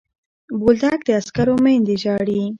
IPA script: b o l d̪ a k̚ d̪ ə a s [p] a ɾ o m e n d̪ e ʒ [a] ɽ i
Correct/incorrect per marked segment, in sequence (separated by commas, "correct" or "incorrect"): incorrect, incorrect